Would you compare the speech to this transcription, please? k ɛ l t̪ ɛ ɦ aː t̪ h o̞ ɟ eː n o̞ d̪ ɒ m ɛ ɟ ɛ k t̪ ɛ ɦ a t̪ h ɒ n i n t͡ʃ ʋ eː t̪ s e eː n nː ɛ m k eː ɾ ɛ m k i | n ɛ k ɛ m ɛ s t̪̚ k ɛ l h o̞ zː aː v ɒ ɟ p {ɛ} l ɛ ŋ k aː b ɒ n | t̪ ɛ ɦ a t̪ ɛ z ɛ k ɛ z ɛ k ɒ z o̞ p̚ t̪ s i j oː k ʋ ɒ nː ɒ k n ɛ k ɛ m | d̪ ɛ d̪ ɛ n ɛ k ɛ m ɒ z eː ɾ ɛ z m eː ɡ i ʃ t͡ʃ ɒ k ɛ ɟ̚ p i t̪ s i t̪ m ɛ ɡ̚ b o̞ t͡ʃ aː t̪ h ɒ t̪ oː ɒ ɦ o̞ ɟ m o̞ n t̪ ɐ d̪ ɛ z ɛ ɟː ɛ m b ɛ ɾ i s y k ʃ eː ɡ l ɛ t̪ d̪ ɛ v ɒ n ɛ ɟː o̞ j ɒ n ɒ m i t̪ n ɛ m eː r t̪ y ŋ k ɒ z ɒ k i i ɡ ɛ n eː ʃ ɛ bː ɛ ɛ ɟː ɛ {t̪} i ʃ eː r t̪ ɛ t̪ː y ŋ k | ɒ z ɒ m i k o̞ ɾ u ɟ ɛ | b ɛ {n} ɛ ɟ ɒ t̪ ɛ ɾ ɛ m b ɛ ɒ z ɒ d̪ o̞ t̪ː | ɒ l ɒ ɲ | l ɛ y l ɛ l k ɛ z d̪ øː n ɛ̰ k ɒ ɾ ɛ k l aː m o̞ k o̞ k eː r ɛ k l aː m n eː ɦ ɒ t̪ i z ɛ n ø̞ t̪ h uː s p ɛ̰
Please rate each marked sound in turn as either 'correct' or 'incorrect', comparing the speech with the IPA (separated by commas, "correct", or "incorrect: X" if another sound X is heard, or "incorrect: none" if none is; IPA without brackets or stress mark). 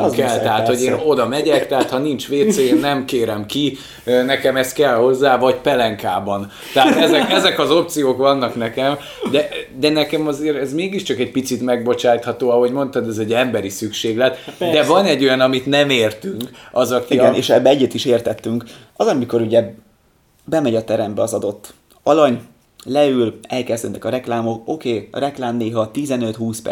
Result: correct, correct, incorrect: m